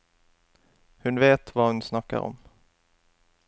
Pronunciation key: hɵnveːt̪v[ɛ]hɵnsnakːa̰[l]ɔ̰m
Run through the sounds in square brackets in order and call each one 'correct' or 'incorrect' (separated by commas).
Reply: incorrect, incorrect